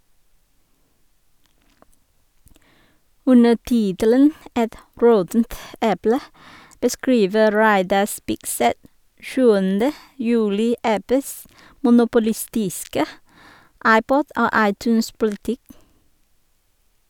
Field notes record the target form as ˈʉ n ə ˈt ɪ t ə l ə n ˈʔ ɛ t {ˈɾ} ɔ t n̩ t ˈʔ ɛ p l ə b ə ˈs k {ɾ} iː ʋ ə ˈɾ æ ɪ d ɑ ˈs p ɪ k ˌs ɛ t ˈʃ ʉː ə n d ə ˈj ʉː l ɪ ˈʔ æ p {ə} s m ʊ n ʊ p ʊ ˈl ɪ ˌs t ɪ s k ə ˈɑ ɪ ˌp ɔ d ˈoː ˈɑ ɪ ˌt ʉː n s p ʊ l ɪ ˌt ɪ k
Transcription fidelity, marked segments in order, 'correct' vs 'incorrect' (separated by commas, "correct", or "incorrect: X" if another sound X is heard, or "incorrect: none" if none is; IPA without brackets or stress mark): incorrect: ɹ, incorrect: ɹ, correct